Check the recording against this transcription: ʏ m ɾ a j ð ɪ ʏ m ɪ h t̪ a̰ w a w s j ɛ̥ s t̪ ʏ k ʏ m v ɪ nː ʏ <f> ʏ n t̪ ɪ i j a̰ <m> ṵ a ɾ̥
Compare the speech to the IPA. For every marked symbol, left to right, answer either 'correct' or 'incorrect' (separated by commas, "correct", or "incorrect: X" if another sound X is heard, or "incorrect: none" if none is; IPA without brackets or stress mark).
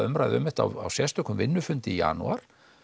correct, incorrect: n